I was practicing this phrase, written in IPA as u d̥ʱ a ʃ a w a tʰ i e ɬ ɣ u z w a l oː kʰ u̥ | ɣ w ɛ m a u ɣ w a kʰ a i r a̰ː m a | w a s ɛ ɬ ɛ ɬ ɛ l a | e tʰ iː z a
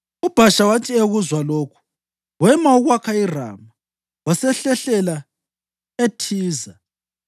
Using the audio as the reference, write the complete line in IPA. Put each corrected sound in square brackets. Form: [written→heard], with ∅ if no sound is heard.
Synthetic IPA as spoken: u [d̥ʱ→b̥ʱ] a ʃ a w a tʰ i e [ɬ→∅] ɣ u z w a l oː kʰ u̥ | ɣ w ɛ m a u ɣ w a kʰ a i r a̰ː m a | w a s ɛ ɬ ɛ ɬ ɛ l a | e tʰ iː z a